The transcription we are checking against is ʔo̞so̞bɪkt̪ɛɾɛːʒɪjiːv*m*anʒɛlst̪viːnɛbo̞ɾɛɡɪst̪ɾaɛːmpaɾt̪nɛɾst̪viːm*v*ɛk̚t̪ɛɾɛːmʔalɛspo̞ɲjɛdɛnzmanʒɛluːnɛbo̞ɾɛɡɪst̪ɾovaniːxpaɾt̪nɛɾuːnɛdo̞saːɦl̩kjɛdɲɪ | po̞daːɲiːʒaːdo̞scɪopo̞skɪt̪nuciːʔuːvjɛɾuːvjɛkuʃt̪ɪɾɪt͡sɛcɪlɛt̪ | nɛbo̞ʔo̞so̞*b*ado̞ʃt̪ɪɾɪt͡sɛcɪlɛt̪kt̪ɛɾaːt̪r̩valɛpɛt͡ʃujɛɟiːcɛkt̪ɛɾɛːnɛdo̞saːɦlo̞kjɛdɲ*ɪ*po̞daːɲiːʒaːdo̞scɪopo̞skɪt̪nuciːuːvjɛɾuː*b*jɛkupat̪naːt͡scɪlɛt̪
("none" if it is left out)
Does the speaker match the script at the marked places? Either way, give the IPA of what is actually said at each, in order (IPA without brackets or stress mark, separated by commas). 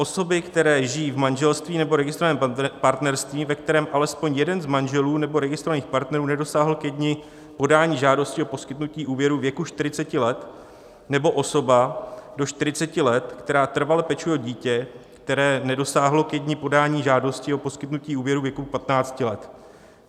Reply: m, v, b, ɪ, v